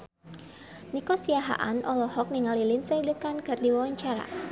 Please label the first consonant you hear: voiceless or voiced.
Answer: voiced